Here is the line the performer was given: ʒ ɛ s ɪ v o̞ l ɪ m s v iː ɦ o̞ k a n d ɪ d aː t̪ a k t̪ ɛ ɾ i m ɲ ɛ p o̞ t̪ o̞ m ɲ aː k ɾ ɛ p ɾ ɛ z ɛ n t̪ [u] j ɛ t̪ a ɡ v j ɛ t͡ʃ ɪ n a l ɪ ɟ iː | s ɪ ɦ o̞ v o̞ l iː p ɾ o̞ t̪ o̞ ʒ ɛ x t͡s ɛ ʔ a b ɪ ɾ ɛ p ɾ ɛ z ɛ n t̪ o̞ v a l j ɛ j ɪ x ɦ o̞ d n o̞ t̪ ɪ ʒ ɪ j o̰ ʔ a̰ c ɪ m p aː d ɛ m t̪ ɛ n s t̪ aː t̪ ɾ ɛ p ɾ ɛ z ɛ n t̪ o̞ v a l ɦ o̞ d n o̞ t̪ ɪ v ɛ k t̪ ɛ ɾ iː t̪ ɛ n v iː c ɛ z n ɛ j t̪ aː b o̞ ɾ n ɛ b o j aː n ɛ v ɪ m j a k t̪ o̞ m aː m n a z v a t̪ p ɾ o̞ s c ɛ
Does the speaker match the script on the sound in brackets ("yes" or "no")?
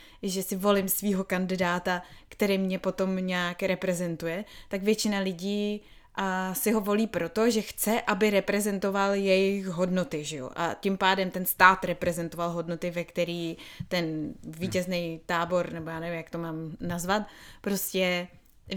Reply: yes